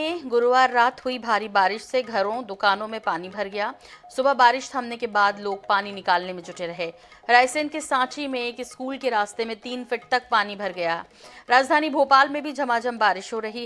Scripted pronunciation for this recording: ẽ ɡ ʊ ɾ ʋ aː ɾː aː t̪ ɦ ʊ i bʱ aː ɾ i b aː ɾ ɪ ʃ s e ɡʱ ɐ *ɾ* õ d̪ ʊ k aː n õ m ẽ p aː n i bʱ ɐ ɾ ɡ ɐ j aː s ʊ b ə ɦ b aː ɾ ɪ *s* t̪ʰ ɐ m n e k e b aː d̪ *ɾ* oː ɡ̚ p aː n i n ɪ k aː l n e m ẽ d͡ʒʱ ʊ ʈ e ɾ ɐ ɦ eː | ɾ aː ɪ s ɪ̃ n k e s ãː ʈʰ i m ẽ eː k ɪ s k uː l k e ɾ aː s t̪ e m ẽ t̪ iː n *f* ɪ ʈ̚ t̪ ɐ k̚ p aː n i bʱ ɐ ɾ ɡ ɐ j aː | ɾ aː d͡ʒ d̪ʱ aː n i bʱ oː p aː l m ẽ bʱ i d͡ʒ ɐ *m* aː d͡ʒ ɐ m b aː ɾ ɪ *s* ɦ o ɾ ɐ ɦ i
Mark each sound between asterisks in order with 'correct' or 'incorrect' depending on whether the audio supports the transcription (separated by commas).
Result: correct, incorrect, incorrect, correct, correct, incorrect